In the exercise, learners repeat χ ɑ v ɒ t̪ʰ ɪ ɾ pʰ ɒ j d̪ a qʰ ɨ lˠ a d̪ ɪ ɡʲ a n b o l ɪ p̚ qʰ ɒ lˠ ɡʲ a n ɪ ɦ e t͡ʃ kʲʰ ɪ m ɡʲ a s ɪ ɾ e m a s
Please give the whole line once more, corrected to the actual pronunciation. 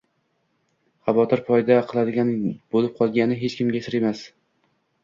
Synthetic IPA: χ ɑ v ɒ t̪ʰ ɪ ɾ pʰ ɒ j d̪ a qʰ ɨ lˠ a d̪ ɪ ɡʲ a n b o l ɪ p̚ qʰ ɒ lˠ ɡʲ a n ɪ ɦ e t͡ʃ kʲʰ ɪ m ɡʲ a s ɪ ɾ e m a s